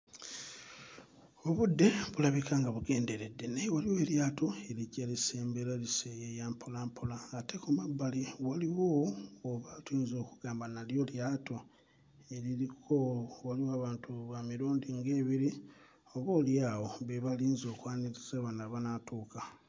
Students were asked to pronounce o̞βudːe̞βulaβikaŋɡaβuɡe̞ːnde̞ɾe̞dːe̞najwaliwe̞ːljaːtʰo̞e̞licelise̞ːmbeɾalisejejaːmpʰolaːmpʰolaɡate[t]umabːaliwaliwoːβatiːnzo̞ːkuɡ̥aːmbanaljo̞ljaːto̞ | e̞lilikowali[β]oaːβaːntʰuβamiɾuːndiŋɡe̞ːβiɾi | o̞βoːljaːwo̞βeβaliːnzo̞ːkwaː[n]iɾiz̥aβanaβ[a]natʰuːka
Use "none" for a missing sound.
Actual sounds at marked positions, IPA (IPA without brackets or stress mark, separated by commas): k, w, n, a